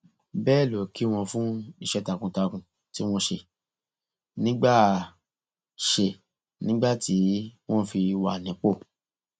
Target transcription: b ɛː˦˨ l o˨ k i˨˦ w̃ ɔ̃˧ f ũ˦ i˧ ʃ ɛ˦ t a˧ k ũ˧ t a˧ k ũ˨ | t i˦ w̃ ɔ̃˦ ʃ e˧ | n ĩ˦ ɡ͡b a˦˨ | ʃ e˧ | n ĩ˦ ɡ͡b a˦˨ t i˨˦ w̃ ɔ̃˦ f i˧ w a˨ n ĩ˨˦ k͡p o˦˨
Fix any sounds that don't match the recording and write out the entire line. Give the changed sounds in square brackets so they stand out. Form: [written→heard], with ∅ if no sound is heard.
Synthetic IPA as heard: b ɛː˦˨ l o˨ k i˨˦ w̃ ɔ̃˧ f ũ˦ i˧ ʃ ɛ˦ t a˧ k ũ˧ t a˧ k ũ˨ | t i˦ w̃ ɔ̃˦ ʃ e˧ | n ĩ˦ ɡ͡b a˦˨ | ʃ e˧ | n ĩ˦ ɡ͡b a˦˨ t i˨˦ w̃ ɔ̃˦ f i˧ w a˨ n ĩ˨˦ k͡p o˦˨